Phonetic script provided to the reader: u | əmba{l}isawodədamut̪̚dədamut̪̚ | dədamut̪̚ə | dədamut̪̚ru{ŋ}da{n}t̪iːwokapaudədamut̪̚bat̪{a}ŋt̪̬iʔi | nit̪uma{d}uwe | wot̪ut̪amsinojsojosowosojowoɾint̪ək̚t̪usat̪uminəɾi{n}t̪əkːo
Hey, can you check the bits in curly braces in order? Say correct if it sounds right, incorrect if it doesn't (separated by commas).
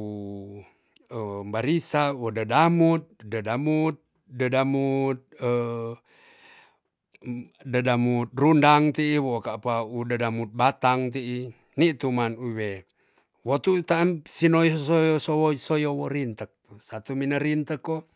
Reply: incorrect, incorrect, incorrect, correct, incorrect, correct